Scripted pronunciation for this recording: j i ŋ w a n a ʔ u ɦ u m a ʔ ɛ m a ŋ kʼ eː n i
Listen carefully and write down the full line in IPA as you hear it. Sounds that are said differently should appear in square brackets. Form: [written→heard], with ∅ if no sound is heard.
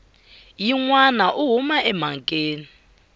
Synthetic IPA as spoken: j i ŋ w a n a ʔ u ɦ u m a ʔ ɛ m a ŋ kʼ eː n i